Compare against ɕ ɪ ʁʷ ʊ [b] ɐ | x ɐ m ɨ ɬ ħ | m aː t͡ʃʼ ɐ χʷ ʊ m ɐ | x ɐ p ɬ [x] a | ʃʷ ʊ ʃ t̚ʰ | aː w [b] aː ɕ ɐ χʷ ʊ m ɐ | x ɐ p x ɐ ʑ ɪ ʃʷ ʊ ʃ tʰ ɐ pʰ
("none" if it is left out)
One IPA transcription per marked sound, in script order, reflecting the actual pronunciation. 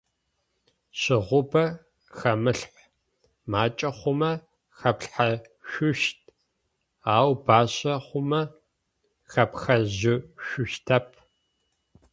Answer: b, ħ, b

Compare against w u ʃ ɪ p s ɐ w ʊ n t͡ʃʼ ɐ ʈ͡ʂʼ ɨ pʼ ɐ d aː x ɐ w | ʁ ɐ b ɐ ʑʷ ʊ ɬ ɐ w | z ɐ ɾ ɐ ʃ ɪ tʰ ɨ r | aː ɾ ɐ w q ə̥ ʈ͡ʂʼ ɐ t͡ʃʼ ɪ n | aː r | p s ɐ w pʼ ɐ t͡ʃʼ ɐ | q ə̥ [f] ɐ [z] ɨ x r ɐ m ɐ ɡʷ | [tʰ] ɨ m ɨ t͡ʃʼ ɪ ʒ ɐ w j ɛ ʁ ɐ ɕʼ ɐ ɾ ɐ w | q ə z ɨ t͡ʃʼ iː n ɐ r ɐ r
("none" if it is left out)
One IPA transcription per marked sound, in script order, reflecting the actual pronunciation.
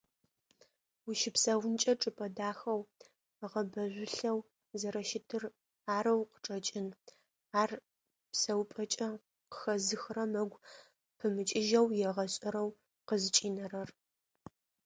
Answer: x, z, pʰ

